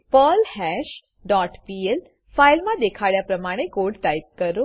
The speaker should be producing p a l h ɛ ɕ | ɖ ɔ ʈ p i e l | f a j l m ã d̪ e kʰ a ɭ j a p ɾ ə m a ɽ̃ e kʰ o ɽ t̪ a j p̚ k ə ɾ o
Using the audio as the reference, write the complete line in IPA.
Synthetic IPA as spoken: p ə l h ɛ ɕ | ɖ ɔ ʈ p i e l | f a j l m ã d̪ e kʰ a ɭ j a p ɾ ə m a ɽ̃ e k o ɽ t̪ a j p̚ k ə ɾ o